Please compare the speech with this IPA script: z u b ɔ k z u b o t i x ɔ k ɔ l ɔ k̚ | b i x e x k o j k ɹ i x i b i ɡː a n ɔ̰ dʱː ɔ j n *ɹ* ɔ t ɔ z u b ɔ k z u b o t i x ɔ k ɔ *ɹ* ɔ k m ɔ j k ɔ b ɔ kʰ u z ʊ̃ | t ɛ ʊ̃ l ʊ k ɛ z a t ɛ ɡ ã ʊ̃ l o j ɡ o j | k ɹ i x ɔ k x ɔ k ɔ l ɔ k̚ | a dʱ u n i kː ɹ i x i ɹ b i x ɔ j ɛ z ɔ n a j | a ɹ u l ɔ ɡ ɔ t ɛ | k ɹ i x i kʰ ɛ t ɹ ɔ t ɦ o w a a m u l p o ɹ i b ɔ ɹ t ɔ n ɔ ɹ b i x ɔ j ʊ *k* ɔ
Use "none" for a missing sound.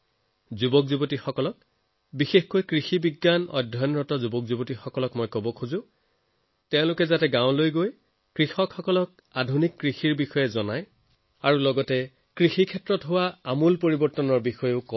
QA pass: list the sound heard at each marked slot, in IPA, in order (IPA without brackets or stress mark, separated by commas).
ɹ, l, k